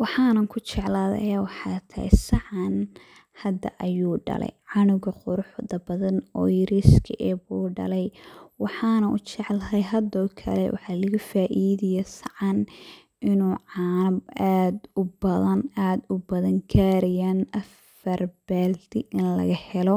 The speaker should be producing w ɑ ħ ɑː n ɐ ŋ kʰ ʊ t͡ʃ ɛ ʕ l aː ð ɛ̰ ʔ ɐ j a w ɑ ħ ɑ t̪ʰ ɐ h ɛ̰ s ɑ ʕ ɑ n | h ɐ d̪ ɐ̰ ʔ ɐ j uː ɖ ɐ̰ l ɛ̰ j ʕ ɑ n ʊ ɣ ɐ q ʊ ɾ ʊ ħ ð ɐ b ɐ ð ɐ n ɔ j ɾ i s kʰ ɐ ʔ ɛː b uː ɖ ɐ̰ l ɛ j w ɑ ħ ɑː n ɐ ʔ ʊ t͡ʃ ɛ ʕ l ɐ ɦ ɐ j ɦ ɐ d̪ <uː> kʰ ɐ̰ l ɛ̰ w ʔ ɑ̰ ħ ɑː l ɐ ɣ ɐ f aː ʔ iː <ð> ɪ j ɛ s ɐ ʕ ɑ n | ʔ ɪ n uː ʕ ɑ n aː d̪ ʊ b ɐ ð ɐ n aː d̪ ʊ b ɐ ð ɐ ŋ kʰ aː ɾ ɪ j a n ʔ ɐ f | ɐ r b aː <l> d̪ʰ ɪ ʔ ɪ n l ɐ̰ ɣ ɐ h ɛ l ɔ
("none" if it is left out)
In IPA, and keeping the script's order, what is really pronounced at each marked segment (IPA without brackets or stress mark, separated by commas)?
ɔː, ð, l